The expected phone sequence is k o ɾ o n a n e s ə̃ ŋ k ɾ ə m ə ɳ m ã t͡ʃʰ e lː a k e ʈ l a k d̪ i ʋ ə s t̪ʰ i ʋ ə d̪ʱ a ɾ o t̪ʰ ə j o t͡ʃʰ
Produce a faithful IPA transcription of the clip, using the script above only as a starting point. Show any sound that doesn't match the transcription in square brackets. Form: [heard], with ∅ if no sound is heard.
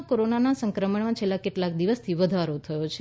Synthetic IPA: k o ɾ o n a n [a] s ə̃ ŋ k ɾ ə m ə ɳ m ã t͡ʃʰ e lː a k e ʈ l a k d̪ i ʋ ə s t̪ʰ i ʋ ə d̪ʱ a ɾ o t̪ʰ ə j o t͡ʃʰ